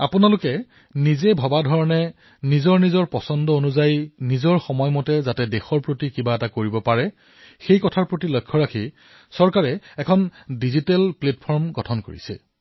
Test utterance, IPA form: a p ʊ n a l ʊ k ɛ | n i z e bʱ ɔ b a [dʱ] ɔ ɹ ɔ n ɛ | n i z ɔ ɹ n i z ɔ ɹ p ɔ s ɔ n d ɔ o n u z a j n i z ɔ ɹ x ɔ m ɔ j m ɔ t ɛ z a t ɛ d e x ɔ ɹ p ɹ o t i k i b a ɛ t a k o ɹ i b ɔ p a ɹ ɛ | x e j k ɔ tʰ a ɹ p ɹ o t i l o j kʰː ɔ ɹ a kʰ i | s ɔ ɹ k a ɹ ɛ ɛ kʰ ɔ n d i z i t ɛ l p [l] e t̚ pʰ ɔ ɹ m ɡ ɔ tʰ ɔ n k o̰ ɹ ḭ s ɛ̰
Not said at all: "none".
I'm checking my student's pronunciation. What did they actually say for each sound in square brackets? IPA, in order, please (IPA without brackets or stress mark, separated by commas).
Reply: dʱ, l